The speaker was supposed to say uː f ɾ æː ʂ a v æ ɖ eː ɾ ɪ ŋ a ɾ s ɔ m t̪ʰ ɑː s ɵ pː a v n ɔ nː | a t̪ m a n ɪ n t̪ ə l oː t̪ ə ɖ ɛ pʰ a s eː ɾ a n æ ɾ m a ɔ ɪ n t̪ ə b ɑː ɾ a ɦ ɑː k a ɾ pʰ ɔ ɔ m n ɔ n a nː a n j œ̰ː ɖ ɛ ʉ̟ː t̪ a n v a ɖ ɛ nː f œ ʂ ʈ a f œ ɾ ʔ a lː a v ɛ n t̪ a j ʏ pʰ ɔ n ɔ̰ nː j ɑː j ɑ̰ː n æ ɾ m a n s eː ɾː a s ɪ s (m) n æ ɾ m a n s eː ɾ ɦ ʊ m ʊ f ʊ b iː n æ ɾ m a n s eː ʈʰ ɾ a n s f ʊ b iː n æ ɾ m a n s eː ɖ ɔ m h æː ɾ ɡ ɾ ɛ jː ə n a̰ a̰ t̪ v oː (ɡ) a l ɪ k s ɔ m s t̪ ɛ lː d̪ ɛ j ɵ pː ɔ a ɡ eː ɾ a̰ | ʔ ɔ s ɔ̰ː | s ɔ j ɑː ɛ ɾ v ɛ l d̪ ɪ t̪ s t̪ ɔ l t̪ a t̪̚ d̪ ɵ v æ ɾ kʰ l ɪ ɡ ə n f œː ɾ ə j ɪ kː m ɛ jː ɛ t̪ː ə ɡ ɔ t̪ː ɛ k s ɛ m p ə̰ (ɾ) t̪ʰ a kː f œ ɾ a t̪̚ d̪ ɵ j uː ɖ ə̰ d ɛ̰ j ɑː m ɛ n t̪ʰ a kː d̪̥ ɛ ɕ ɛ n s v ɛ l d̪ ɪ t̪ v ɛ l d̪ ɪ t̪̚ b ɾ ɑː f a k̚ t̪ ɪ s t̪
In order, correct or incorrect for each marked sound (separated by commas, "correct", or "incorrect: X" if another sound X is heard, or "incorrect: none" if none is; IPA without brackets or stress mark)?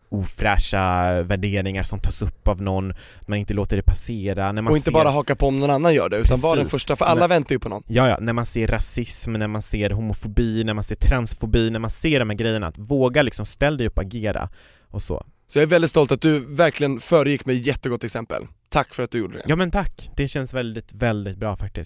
correct, correct, incorrect: l